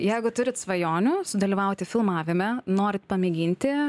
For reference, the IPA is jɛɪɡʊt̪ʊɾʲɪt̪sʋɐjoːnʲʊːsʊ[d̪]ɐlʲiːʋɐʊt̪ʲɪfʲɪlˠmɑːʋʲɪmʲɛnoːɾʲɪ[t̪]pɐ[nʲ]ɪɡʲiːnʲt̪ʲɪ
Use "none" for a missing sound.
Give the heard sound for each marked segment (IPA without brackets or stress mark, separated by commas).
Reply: d̪, t̪, mʲ